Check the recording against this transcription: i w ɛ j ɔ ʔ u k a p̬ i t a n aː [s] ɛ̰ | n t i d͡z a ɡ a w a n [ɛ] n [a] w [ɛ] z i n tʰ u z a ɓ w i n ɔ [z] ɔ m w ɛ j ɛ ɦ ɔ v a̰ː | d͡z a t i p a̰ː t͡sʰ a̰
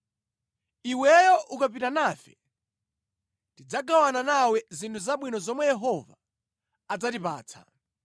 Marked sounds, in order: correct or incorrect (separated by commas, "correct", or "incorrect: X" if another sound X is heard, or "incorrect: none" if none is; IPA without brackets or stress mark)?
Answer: incorrect: f, incorrect: a, correct, correct, correct